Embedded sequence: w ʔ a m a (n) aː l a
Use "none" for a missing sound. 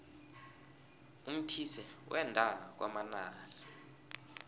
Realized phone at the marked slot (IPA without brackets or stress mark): n